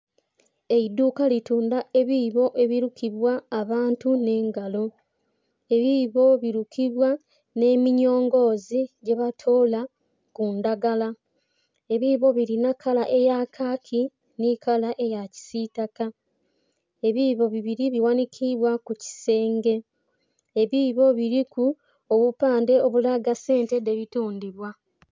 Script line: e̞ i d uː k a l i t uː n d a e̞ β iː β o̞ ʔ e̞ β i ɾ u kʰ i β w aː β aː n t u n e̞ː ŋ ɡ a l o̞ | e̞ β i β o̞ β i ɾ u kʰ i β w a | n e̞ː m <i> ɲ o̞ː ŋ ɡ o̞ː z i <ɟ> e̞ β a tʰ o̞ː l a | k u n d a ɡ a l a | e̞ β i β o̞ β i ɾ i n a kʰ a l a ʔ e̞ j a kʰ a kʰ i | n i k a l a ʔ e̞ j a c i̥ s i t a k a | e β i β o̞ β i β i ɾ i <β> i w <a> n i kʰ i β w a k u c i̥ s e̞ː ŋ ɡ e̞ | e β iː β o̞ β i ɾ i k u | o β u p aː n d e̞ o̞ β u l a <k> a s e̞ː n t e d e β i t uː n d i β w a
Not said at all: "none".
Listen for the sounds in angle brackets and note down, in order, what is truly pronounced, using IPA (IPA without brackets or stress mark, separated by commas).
i, ɟ, β, a, ɡ